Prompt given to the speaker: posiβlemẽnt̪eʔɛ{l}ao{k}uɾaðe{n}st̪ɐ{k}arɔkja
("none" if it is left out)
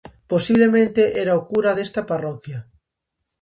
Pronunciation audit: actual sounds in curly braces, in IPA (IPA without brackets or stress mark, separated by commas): ɾ, k, none, p